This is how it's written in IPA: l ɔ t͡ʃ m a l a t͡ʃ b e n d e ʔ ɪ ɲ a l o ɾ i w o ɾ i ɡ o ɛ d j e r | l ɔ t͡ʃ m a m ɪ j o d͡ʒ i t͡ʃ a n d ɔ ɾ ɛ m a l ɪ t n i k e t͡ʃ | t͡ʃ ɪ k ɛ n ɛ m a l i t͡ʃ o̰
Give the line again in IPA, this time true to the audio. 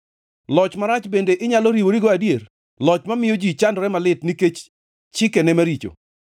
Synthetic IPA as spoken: l ɔ t͡ʃ m a ɾ a t͡ʃ b e n d e ʔ ɪ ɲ a l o ɾ i w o ɾ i ɡ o a d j e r | l ɔ t͡ʃ m a m ɪ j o d͡ʒ i t͡ʃ a n d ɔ ɾ ɛ m a l ɪ t n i k e t͡ʃ | t͡ʃ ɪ k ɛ n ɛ m a ɾ i t͡ʃ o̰